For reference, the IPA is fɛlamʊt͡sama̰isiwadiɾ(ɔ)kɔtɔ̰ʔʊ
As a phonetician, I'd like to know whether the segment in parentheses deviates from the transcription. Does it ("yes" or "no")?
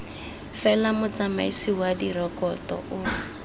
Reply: no